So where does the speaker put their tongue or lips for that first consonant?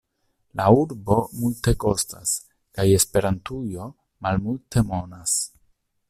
tongue tip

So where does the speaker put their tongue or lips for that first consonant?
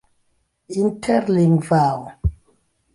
tongue tip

